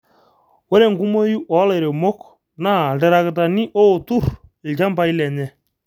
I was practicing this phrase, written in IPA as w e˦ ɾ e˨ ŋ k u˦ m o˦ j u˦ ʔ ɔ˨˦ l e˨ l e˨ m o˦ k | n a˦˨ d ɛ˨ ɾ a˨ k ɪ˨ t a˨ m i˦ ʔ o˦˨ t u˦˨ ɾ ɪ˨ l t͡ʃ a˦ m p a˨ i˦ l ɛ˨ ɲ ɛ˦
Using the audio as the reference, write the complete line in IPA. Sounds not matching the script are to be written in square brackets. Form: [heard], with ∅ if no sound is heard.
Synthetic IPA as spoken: w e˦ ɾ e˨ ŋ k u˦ m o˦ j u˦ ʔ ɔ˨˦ l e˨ [ɾ] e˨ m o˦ k | n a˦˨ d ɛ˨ ɾ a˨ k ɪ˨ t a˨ [n] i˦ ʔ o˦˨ t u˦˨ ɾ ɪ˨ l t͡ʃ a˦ m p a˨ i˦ l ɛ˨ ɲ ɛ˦